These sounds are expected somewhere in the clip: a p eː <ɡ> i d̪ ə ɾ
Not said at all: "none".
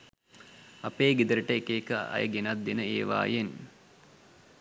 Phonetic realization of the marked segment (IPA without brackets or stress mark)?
ɡ